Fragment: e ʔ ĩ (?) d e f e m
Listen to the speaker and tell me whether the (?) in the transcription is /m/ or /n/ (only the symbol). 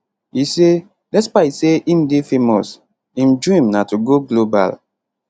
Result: m